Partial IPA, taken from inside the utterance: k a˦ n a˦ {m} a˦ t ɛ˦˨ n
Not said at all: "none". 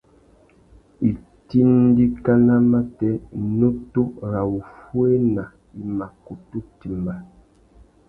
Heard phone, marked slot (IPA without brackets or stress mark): m